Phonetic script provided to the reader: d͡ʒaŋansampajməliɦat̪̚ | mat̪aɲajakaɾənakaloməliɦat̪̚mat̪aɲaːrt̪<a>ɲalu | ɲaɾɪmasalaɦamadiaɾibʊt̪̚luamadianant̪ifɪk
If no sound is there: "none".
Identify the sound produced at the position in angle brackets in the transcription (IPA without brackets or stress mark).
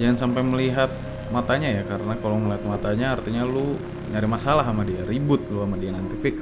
i